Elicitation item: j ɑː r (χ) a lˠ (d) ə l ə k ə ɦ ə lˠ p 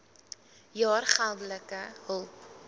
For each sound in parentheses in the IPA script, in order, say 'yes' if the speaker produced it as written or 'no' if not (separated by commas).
yes, yes